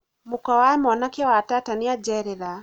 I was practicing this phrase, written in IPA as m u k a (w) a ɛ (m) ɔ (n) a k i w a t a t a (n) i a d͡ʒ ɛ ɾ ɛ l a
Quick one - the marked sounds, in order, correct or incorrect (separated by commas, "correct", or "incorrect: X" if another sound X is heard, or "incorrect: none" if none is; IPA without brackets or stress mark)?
correct, correct, correct, correct